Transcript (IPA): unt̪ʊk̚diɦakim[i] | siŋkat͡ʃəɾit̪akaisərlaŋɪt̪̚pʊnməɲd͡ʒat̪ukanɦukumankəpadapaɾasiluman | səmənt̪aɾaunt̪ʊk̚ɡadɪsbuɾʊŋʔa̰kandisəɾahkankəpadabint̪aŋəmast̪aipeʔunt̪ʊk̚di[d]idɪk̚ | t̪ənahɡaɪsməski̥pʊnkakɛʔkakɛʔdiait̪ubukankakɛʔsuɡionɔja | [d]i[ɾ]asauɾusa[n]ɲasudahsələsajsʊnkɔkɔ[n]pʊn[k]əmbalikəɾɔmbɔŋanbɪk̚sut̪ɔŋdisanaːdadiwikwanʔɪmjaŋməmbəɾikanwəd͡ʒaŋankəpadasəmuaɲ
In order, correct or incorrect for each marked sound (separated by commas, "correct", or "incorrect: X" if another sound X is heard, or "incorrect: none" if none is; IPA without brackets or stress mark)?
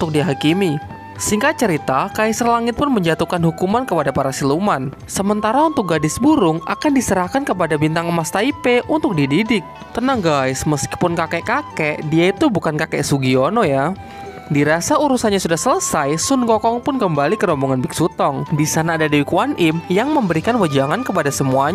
correct, correct, correct, correct, correct, incorrect: ŋ, correct